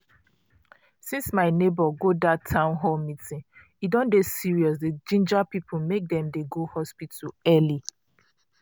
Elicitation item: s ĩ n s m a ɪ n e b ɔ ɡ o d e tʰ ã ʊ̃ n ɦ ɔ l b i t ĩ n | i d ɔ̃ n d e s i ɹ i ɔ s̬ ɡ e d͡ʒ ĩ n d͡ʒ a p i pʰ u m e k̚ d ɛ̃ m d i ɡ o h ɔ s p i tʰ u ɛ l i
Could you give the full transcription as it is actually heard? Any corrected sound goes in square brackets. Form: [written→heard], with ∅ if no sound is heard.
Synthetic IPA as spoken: s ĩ n s m a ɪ n e b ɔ ɡ o d [e→a] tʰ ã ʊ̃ n ɦ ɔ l [b→m] i t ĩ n | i d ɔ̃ n d e s i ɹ i ɔ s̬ [ɡ→d] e d͡ʒ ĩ n d͡ʒ a p i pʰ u m e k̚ d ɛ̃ m d [i→e] ɡ o h ɔ s p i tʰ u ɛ l i